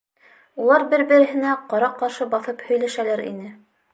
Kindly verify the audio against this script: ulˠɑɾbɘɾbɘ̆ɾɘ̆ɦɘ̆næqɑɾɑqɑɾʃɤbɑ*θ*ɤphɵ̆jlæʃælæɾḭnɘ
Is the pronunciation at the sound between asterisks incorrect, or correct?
correct